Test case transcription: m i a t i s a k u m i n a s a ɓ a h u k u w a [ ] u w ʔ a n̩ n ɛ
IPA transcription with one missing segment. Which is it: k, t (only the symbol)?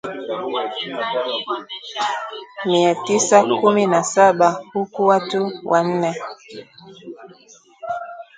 t